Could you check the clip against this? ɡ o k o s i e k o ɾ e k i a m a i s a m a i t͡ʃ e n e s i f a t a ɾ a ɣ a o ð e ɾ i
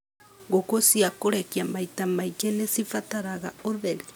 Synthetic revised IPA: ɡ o k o s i a k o ɾ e k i a m a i t a m a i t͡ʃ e n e s i f a t a ɾ a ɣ a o ð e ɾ i